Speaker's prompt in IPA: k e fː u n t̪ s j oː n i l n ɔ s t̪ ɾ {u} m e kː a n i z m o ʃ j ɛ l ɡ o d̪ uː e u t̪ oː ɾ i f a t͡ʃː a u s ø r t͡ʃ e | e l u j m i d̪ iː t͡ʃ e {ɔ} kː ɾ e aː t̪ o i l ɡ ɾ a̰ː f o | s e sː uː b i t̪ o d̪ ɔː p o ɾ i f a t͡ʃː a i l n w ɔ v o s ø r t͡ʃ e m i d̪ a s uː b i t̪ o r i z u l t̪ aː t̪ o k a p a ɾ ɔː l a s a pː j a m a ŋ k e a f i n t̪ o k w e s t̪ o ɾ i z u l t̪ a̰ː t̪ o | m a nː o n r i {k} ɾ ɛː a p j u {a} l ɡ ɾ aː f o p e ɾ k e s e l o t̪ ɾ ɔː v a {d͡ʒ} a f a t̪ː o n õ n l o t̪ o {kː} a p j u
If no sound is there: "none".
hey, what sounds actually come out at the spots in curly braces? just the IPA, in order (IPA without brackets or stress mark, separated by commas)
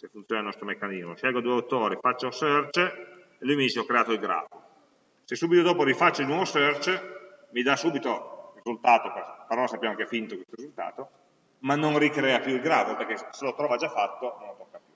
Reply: o, ɔ, k, i, d͡ʒ, kː